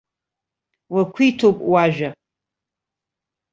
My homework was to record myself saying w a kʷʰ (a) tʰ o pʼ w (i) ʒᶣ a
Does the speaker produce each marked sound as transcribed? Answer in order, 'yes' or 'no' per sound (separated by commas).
no, no